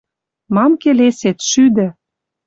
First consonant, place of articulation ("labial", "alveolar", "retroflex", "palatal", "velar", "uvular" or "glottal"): labial